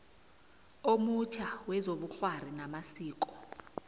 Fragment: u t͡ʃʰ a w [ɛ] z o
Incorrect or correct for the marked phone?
correct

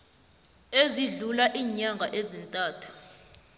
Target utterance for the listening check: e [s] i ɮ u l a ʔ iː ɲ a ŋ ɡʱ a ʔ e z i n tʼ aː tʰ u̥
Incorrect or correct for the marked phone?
incorrect: z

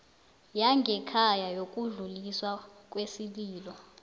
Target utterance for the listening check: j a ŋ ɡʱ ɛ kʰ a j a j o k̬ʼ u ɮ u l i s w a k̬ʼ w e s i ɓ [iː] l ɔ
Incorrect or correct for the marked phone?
correct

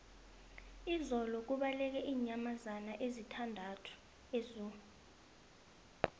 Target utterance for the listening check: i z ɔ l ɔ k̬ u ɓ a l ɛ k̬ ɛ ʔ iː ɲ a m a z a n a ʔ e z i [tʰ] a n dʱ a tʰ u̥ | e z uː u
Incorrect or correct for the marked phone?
correct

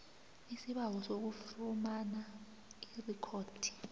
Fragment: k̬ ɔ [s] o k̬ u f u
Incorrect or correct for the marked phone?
correct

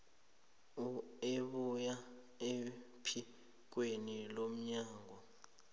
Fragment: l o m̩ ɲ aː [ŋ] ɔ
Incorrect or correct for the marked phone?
correct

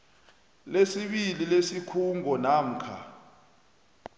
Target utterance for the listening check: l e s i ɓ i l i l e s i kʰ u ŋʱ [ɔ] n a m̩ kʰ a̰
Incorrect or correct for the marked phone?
correct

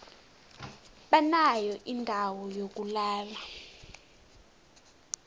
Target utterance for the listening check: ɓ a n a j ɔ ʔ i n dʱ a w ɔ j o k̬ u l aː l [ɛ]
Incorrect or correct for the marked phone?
incorrect: a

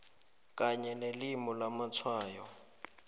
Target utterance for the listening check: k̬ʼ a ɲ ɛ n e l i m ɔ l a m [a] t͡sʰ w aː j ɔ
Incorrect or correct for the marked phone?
correct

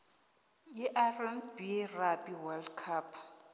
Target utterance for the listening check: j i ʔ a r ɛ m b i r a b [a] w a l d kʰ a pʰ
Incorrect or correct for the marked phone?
incorrect: i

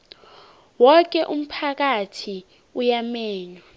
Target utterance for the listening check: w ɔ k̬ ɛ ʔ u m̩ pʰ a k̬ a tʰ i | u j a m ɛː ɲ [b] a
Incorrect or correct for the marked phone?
incorrect: w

